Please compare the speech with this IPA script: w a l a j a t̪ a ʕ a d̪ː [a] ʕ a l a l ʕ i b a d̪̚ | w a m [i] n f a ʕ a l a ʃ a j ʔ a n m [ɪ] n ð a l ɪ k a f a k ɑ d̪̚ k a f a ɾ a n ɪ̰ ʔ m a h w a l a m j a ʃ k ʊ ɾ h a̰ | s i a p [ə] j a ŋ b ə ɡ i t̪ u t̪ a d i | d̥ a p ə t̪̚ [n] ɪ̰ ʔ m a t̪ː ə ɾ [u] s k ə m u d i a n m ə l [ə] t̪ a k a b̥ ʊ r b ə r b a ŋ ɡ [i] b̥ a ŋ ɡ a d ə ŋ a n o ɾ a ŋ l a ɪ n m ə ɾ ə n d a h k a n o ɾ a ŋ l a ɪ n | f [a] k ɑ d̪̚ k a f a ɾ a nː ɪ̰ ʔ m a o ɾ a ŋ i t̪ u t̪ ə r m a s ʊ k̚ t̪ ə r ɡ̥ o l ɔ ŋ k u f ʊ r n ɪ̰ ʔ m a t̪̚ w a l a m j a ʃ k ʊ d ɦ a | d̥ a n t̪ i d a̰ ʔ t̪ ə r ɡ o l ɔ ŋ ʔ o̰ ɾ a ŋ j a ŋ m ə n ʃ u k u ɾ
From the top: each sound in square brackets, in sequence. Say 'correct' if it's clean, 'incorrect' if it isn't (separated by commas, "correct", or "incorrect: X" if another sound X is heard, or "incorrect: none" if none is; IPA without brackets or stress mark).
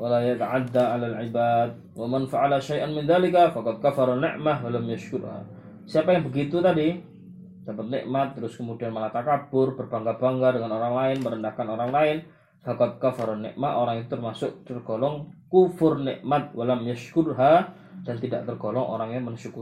correct, incorrect: a, correct, incorrect: a, correct, incorrect: ʊ, incorrect: a, incorrect: a, correct